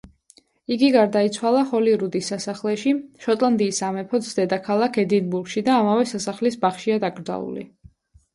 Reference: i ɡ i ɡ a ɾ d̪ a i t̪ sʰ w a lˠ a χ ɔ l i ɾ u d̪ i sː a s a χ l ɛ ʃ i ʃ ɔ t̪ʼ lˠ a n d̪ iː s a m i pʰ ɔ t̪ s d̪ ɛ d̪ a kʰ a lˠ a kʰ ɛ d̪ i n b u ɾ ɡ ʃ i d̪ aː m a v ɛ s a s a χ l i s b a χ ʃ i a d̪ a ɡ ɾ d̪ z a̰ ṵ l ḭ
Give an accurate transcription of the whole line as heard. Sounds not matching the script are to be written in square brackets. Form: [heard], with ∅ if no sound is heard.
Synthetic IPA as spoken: i ɡ i ɡ a ɾ d̪ a i t̪ sʰ w a lˠ a χ ɔ l i ɾ u d̪ i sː a s a χ l ɛ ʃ i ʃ ɔ t̪ʼ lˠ a n d̪ iː s a m [ɛ] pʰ ɔ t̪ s d̪ ɛ d̪ a kʰ a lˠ a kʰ ɛ d̪ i n b u ɾ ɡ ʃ i d̪ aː m a v ɛ s a s a χ l i s b a χ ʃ i a d̪ a ɡ ɾ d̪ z a̰ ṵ l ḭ

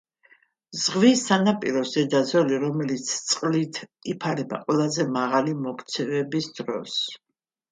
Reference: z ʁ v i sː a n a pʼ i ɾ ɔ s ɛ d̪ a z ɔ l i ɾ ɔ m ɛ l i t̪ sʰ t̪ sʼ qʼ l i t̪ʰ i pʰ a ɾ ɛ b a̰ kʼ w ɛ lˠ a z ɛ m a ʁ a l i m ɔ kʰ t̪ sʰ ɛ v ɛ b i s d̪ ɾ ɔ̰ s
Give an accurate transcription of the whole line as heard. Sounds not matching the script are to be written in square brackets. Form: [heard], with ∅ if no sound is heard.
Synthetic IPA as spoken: z ʁ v i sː a n a pʼ i ɾ ɔ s ɛ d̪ a z ɔ l i ɾ ɔ m ɛ l i t̪ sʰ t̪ sʼ qʼ l i t̪ʰ i pʰ a ɾ ɛ b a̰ [qʼ] w ɛ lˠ a z ɛ m a ʁ a l i m ɔ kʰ t̪ sʰ ɛ v ɛ b i s d̪ ɾ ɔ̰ s

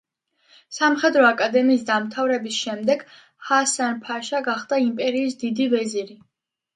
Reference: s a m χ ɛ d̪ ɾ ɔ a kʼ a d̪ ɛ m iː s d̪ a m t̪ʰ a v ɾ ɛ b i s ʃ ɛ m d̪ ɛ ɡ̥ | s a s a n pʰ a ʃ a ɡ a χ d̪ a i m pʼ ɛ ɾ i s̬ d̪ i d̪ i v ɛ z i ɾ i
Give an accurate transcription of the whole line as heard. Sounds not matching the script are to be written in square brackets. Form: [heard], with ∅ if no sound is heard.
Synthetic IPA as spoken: s a m χ ɛ d̪ ɾ ɔ a kʼ a d̪ ɛ m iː s d̪ a m t̪ʰ a v ɾ ɛ b i s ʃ ɛ m d̪ ɛ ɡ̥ | [h] a s a n pʰ a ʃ a ɡ a χ d̪ a i m pʼ ɛ ɾ [iː] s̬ d̪ i d̪ i v ɛ z i ɾ i

